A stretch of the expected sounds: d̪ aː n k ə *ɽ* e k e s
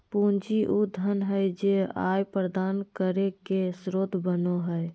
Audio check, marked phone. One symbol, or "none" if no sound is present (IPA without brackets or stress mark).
ɾ